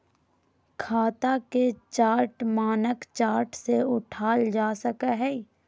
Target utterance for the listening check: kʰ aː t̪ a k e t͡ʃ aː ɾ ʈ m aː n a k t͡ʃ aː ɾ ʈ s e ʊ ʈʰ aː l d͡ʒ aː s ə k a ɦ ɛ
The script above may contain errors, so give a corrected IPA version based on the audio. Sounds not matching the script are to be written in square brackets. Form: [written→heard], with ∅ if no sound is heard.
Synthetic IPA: kʰ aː t̪ a k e t͡ʃ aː ɾ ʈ m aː n [a→ə] k t͡ʃ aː ɾ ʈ s e ʊ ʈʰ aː l d͡ʒ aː s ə k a ɦ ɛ